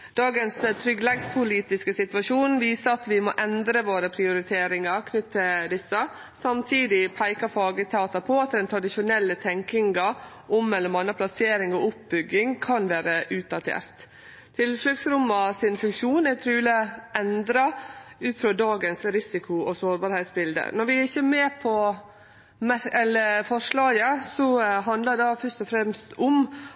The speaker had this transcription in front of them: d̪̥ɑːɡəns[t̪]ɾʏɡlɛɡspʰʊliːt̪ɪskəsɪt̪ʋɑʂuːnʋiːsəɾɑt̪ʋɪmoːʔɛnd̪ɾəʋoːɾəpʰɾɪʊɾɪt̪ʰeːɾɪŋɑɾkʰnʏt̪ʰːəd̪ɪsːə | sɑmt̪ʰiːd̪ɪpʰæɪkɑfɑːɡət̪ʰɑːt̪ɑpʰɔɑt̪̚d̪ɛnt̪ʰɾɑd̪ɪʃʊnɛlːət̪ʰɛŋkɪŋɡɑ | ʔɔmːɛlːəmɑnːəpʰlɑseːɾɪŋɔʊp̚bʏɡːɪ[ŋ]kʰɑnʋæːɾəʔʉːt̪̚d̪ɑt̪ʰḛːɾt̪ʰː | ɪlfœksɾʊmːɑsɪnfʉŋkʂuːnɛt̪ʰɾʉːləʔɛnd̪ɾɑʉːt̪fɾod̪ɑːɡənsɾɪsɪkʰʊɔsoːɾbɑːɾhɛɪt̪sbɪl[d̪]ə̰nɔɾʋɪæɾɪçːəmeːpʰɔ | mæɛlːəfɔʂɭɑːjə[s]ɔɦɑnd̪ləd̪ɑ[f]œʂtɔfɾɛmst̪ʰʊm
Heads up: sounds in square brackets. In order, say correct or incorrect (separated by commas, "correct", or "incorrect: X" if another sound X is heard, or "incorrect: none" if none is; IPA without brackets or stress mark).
incorrect: t̪ʰ, correct, correct, correct, correct